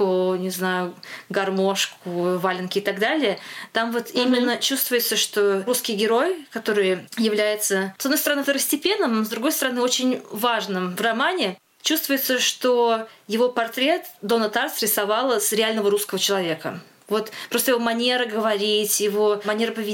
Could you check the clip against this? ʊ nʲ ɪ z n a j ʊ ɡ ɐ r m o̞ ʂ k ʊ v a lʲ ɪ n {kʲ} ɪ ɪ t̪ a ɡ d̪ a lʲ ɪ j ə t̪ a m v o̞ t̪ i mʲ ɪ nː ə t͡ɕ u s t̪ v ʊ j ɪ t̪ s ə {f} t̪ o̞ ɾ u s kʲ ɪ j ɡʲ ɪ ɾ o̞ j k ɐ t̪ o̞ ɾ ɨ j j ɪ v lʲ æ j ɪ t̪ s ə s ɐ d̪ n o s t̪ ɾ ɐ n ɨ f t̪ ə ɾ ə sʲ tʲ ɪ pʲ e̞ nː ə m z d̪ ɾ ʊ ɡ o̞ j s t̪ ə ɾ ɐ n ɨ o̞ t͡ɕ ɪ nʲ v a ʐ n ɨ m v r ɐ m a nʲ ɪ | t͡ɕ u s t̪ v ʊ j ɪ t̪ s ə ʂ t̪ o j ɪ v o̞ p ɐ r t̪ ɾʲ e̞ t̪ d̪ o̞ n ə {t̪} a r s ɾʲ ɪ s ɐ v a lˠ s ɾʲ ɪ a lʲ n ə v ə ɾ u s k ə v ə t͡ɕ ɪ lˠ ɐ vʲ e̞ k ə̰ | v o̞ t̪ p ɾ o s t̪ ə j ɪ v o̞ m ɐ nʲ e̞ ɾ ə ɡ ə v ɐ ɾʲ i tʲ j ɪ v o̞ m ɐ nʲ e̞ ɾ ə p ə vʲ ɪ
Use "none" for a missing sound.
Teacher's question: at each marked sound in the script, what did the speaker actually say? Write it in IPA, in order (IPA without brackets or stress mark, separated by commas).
kʲ, ʂ, t̪